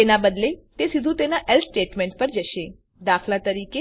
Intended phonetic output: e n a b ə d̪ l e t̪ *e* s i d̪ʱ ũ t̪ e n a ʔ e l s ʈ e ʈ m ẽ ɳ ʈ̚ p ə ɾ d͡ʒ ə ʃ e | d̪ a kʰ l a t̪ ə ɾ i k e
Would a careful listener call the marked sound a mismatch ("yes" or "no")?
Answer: no